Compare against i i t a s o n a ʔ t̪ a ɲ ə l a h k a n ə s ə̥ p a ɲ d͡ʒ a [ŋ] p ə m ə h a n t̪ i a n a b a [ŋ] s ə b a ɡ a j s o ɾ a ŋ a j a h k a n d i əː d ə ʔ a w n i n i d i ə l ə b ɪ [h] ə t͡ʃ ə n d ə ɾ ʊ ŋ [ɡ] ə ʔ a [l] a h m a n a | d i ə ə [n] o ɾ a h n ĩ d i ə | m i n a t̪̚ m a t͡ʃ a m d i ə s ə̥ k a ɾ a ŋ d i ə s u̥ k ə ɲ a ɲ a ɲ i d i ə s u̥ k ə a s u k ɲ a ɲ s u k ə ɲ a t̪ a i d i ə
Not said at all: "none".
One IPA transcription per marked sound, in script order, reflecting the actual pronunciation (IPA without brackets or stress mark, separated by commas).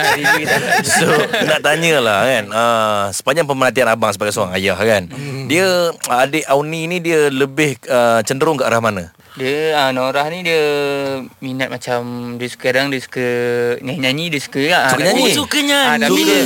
ŋ, ŋ, h, k, ɾ, n